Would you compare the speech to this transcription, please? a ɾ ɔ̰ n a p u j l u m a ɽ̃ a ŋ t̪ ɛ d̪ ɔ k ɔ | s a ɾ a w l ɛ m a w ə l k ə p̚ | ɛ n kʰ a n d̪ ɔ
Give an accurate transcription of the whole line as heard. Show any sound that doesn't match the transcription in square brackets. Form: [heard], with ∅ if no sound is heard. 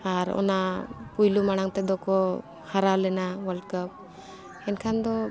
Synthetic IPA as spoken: a ɾ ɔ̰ n a p u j l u m a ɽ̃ a ŋ t̪ ɛ d̪ ɔ k ɔ | [h] a ɾ a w l ɛ [n] a w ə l k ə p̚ | ɛ n kʰ a n d̪ ɔ